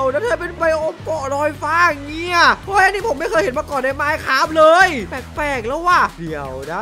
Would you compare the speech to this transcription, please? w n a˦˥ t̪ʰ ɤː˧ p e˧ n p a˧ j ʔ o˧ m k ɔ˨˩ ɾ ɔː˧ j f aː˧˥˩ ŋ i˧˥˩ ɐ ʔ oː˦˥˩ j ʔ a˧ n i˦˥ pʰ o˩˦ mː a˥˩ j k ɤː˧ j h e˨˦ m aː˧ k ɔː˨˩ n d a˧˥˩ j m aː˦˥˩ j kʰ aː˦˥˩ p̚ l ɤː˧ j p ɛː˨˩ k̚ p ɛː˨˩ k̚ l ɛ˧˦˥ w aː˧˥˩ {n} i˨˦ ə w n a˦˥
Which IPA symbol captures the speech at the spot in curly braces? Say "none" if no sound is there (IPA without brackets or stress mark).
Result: d